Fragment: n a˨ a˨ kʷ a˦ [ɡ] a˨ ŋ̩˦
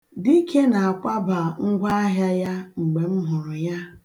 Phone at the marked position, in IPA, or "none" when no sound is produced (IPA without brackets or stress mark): b